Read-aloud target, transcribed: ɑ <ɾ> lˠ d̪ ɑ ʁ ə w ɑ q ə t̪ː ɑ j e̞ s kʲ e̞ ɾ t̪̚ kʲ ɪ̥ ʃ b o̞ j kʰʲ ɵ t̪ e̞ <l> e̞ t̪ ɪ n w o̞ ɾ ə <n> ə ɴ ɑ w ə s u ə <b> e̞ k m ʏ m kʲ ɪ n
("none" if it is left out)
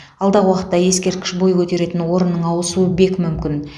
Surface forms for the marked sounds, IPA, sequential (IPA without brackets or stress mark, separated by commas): none, ɾ, nː, b